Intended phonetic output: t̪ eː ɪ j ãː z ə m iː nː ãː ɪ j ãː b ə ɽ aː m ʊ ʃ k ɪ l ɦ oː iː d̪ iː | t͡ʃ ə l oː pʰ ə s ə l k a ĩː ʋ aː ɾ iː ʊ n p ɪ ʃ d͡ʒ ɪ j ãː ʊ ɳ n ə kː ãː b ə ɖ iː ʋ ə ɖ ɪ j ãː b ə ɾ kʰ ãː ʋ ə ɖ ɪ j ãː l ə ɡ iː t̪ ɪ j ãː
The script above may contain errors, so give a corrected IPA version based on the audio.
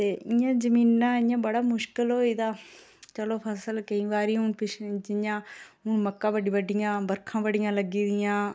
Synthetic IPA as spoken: t̪ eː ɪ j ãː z ə m iː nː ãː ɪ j ãː b ə ɽ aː m ʊ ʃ k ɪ l ɦ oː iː d̪ aː | t͡ʃ ə l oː pʰ ə s ə l k ə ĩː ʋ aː ɾ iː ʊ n p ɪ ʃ d͡ʒ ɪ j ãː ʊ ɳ m ə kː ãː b ə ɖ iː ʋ ə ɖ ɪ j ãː b ə ɾ kʰ ãː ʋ ə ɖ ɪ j ãː l ə ɡ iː d̪ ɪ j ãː